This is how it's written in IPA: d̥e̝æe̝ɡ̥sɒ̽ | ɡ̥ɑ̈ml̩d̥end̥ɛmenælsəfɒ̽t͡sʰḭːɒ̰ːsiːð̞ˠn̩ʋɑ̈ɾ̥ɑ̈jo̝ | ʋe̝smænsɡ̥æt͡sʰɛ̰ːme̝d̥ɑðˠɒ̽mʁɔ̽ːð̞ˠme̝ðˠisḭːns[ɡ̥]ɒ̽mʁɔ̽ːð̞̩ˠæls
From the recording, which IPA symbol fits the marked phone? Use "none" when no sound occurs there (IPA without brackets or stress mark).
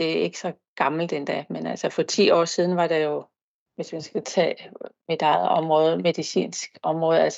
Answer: ɡ̥